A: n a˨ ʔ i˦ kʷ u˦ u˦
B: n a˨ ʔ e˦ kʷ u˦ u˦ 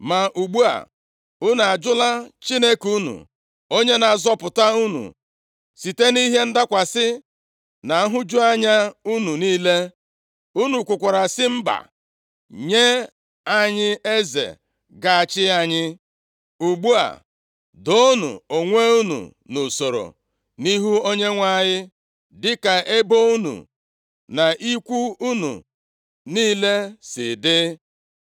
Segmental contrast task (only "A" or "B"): A